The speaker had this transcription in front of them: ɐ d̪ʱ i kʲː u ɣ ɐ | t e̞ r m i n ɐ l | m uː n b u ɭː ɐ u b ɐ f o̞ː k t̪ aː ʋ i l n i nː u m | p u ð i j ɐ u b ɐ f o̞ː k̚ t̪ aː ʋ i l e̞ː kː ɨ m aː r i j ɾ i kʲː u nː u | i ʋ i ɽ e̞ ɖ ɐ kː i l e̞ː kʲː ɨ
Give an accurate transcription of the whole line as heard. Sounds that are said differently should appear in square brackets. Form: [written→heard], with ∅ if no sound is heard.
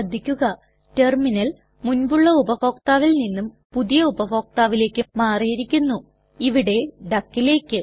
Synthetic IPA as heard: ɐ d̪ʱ i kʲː u ɣ ɐ | t e̞ r m i n ɐ l | m [uː→u] n b u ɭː ɐ u b ɐ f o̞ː k t̪ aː ʋ i l n i nː u m | p u ð i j ɐ u b ɐ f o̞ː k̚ t̪ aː ʋ i l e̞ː kː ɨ m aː r i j ɾ i kʲː u nː u | i ʋ i ɽ e̞ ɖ ɐ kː i l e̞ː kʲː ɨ